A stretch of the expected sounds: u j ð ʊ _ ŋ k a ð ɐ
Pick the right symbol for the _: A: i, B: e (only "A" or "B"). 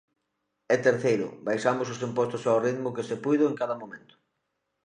B